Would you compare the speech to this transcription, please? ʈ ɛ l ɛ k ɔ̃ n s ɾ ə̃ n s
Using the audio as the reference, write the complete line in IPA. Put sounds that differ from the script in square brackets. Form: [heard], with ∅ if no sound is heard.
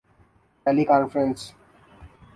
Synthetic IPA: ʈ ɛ l [i] k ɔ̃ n [f] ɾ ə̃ n s